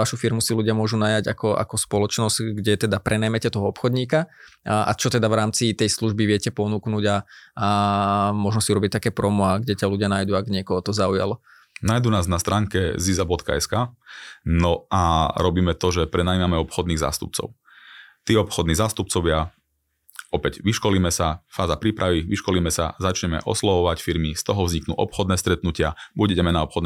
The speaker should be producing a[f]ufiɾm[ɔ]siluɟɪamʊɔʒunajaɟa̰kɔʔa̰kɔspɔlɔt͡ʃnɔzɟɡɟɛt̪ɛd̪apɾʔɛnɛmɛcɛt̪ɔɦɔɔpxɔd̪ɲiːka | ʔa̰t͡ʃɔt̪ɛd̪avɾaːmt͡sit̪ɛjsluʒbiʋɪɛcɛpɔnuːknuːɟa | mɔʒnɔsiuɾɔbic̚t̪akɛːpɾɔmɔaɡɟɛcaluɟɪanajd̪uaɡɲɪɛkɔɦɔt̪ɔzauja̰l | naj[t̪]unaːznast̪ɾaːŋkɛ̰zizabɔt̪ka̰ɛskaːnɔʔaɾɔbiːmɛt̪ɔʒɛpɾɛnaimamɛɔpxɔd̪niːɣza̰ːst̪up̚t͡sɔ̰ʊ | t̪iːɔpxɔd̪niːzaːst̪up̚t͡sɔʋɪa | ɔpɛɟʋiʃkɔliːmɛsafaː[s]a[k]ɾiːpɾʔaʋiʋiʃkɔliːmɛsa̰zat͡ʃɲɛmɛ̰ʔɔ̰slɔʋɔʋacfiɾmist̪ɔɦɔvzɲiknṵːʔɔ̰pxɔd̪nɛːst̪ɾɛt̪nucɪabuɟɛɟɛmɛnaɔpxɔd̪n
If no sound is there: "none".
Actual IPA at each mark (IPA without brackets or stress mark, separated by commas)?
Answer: ʃ, u, d̪, z, p